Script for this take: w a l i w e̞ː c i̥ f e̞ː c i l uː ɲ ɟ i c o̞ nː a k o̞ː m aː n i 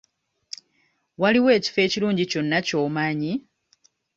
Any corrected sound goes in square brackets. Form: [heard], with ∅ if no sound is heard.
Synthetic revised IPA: w a l i w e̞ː c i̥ f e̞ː c i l uː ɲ ɟ i c o̞ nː a [c] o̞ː m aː [ɲ] i